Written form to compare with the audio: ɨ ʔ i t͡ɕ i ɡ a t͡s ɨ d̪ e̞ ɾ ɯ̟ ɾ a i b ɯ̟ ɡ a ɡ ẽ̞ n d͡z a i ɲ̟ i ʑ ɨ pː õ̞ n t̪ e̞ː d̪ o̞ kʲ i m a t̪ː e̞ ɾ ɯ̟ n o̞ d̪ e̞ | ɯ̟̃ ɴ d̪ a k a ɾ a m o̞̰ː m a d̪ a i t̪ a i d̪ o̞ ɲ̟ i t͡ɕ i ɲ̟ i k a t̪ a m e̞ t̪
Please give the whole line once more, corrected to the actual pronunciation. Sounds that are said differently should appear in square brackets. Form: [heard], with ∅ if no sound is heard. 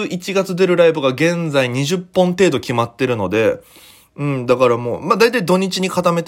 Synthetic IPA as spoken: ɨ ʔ i t͡ɕ i ɡ a t͡s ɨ d̪ e̞ ɾ ɯ̟ ɾ a i b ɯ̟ ɡ a ɡ ẽ̞ n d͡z a i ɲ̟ i ʑ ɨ pː õ̞ n t̪ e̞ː d̪ o̞ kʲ i m a t̪ː e̞ ɾ ɯ̟ n o̞ d̪ e̞ | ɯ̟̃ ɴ d̪ a k a ɾ a m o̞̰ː m a d̪ a i t̪ a i d̪ o̞ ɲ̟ i t͡ɕ i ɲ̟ i k a t̪ a m e̞ t̪